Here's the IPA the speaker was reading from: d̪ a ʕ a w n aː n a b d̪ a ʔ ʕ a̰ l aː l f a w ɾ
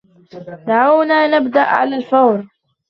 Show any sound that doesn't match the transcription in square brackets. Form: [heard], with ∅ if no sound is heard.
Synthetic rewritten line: d̪ a ʕ a w n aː n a b d̪ a ʔ ʕ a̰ l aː l f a w ɾ